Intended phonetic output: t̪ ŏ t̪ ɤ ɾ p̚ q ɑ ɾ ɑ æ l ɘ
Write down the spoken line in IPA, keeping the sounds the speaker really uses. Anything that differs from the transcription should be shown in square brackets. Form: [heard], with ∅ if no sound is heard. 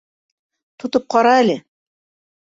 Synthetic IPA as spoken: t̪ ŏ t̪ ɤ [∅] p̚ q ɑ ɾ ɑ æ l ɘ